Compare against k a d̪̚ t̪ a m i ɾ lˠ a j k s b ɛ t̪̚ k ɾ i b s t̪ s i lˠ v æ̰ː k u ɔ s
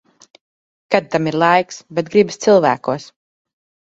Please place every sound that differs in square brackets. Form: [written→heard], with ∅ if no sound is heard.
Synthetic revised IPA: k a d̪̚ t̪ a m i ɾ lˠ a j k s b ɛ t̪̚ [k→ɡ] ɾ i b s t̪ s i lˠ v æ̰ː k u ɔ s